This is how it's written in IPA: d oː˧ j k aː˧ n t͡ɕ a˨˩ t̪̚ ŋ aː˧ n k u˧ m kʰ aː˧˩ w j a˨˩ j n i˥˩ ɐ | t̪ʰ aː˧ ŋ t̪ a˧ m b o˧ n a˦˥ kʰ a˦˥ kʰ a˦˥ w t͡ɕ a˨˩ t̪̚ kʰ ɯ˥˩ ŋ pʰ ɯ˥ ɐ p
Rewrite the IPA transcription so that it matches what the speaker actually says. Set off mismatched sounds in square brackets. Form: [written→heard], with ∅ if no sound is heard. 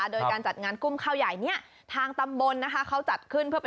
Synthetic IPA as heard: d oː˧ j k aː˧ n t͡ɕ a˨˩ t̪̚ ŋ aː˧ n k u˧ m kʰ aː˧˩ w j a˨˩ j n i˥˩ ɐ | t̪ʰ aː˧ ŋ t̪ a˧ m b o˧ [n→nː] a˦˥ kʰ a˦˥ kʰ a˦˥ w t͡ɕ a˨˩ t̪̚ kʰ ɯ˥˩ [ŋ→n] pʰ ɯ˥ ɐ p